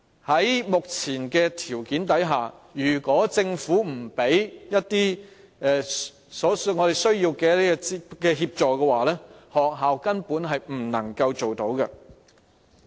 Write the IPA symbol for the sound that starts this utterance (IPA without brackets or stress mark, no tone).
h